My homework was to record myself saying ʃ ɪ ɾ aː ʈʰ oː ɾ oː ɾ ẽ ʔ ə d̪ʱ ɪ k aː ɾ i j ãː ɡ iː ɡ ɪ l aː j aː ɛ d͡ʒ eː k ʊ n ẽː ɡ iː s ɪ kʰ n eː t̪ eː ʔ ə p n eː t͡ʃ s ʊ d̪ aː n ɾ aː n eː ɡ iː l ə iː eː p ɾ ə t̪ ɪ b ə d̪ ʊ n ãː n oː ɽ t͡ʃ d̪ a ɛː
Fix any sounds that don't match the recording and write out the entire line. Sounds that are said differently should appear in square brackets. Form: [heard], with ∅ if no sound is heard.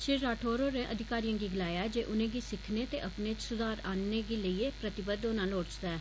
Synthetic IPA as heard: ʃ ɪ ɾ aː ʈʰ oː ɾ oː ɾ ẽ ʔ ə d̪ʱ ɪ k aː ɾ i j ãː ɡ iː ɡ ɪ l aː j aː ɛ d͡ʒ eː [ʔ] ʊ n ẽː ɡ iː s ɪ kʰ n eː t̪ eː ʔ ə p n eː t͡ʃ s ʊ d̪ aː [∅] ɾ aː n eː ɡ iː l ə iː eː p ɾ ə t̪ ɪ b ə d̪ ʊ n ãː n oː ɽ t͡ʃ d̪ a ɛː